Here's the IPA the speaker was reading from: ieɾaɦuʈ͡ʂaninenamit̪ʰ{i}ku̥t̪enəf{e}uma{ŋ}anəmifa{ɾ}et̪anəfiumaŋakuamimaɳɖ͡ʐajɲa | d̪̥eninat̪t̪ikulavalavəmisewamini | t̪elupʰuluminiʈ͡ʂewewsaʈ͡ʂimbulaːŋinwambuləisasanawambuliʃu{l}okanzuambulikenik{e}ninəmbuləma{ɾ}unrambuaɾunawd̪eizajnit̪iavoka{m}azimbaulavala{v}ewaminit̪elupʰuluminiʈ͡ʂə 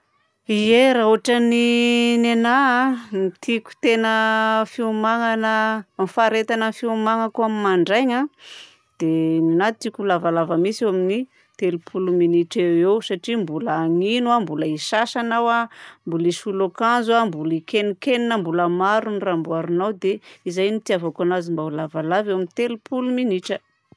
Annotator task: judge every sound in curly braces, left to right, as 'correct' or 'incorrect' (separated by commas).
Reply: correct, incorrect, correct, correct, correct, correct, correct, incorrect, correct